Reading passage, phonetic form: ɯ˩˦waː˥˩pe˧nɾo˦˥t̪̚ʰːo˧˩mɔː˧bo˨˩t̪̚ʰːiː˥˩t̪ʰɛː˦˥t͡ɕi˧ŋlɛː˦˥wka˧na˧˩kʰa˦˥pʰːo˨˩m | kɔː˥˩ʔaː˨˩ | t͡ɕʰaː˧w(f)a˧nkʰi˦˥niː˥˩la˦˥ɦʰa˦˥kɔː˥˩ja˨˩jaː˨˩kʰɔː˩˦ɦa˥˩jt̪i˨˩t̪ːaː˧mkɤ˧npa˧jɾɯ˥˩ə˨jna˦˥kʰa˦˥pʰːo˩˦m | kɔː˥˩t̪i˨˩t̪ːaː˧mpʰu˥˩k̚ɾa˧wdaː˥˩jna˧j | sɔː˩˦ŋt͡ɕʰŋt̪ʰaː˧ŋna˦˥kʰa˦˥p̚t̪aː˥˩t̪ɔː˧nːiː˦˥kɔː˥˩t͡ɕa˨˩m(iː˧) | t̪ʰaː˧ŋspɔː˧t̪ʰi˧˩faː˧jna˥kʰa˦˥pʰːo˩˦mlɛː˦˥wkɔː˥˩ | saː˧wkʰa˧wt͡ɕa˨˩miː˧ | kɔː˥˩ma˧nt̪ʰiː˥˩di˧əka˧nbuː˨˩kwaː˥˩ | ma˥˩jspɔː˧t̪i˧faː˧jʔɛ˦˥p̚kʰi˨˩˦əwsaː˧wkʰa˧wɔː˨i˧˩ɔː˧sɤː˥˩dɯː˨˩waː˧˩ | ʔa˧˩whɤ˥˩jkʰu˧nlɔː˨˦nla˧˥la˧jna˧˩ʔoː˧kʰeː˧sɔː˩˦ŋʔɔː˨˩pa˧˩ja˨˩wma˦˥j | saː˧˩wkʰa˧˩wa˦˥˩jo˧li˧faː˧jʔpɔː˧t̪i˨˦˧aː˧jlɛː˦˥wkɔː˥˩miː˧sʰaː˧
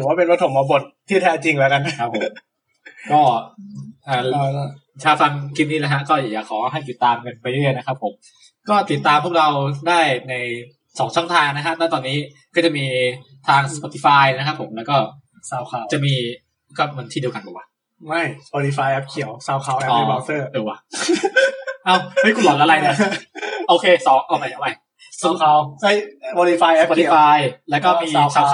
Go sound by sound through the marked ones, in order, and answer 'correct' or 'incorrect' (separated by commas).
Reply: correct, correct